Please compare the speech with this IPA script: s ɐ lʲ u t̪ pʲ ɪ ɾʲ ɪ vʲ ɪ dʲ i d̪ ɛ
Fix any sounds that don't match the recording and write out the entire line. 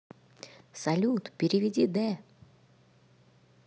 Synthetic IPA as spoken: s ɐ lʲ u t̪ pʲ ɪ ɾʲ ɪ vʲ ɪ dʲ i d̪ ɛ